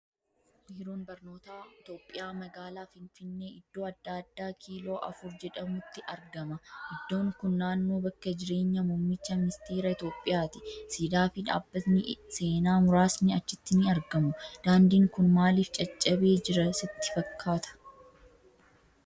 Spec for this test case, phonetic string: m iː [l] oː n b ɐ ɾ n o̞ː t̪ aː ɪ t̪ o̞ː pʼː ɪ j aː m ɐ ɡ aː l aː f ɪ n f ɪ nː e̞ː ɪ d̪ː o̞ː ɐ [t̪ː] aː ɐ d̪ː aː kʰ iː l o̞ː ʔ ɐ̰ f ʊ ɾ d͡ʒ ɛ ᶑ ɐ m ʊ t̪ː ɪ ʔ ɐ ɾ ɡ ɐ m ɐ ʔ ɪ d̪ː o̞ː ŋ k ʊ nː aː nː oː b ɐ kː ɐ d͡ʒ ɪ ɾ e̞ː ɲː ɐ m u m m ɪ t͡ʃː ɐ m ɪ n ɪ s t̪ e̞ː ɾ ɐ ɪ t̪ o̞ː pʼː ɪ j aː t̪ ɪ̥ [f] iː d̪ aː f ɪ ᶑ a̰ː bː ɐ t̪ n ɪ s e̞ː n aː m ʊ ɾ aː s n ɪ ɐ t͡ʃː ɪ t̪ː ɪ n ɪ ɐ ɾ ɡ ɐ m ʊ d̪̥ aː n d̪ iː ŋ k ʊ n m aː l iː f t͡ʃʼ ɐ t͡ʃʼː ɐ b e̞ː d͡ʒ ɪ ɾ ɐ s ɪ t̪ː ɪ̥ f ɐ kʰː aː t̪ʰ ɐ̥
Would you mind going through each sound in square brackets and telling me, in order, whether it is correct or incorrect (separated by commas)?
incorrect, incorrect, incorrect